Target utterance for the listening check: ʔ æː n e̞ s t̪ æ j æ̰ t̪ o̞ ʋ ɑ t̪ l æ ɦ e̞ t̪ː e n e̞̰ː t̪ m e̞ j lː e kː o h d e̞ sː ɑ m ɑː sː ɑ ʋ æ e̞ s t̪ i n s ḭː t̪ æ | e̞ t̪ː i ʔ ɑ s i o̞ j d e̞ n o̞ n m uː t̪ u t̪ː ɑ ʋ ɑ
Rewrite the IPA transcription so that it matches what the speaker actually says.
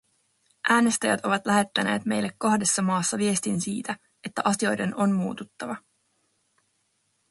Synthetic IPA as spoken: ʔ æː n e̞ s t̪ æ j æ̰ t̪ o̞ ʋ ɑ t̪ l æ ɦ e̞ t̪ː æ n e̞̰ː t̪ m e̞ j lː e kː o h d e̞ sː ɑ m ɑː sː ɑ ʋ i e̞ s t̪ i n s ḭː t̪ æ | e̞ t̪ː æ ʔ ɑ s i o̞ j d e̞ n o̞ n m uː t̪ u t̪ː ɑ ʋ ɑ